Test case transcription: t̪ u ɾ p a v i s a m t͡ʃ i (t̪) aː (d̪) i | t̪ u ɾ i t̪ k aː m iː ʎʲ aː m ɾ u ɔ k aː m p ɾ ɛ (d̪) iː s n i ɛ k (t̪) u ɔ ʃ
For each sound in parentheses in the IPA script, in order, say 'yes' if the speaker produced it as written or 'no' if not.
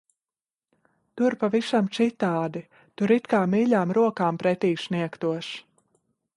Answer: yes, yes, no, yes

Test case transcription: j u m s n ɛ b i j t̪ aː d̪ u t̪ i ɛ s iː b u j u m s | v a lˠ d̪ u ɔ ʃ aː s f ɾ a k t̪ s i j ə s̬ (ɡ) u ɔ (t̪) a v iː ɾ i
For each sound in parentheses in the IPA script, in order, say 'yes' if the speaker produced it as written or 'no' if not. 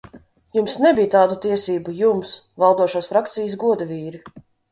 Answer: yes, no

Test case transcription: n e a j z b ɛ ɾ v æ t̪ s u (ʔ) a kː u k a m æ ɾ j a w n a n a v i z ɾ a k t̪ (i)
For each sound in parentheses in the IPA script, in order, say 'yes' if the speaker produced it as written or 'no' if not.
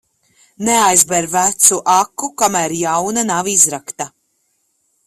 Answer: yes, no

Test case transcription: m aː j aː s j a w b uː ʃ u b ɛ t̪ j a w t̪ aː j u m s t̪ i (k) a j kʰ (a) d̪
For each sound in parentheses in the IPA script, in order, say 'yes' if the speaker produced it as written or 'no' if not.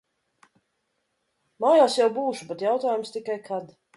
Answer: yes, yes

